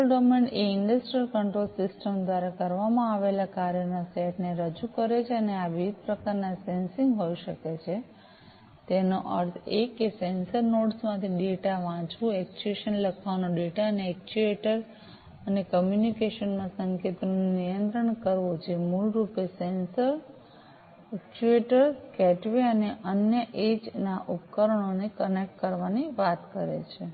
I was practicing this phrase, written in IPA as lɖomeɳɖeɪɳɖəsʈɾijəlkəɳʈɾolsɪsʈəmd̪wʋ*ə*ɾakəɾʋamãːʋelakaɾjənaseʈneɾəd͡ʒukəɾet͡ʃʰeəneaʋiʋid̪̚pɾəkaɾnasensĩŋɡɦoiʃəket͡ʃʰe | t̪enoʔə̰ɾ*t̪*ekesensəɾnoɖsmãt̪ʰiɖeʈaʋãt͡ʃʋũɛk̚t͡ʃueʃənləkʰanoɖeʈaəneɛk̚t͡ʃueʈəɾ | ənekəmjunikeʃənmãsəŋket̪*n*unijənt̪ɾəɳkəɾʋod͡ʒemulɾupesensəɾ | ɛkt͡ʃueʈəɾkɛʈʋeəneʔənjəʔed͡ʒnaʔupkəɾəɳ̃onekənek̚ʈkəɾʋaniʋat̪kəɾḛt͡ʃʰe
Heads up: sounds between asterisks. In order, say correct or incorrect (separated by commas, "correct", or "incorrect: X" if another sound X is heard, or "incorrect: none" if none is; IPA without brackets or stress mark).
incorrect: a, incorrect: t̪ʰ, correct